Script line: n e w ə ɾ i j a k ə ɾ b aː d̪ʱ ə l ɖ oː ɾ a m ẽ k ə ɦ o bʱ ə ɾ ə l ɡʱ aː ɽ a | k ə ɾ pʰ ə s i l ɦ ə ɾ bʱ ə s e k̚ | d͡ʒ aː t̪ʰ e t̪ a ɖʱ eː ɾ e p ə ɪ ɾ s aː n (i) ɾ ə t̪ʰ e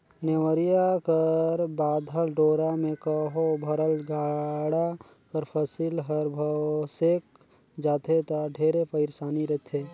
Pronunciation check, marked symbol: correct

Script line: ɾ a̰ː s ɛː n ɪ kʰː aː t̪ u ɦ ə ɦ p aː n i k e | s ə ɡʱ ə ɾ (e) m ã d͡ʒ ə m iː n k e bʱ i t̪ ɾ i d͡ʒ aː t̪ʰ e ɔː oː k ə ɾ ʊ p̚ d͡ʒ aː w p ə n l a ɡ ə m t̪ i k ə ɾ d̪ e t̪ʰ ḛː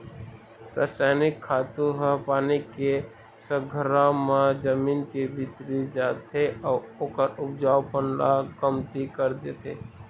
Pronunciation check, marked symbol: incorrect: a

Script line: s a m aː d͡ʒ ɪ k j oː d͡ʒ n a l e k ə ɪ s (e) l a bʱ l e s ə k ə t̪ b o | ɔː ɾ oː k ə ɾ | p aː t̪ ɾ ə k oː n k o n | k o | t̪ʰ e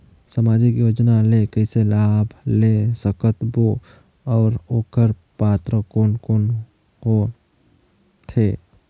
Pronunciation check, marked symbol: correct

